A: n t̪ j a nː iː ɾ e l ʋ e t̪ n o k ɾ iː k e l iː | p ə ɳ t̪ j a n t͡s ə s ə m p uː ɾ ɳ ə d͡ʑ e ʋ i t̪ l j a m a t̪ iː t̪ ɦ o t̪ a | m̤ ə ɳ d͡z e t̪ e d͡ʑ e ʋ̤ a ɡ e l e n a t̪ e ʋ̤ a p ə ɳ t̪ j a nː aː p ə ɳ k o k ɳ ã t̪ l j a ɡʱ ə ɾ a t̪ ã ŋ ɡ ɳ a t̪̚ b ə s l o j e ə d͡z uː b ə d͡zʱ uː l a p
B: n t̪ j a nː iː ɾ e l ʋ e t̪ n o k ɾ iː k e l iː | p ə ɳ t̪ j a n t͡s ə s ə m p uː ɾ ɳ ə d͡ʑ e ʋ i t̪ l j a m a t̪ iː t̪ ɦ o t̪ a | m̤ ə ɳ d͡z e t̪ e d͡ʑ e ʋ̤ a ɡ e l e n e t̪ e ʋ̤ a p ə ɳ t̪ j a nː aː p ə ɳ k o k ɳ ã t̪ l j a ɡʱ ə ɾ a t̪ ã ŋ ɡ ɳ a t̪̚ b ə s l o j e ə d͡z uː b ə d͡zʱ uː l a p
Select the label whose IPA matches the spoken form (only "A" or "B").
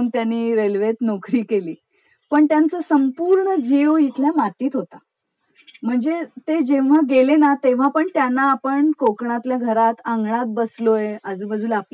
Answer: A